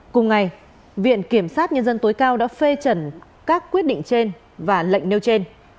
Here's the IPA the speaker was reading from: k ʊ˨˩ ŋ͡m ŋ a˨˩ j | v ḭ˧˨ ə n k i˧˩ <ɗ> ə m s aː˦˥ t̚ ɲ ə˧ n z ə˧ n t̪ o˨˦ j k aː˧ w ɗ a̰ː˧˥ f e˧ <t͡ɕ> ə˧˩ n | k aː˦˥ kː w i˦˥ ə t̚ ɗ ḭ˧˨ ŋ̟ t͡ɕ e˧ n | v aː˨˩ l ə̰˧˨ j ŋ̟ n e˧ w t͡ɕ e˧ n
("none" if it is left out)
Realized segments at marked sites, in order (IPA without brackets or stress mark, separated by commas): none, t͡ɕ